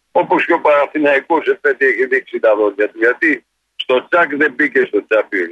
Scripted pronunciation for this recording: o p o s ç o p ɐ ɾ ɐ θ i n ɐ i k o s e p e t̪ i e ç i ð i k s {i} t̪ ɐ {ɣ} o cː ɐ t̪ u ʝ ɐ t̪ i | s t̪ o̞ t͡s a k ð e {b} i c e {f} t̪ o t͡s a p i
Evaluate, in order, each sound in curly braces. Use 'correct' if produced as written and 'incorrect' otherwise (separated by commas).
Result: correct, incorrect, correct, incorrect